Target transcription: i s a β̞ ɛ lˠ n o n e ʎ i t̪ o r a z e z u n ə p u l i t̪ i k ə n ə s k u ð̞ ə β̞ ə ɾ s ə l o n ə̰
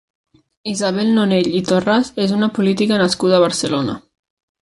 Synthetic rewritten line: i z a β̞ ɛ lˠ n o n e ʎ i t̪ o r a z e z u n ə p u l i t̪ i k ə n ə s k u ð̞ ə β̞ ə ɾ s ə l o n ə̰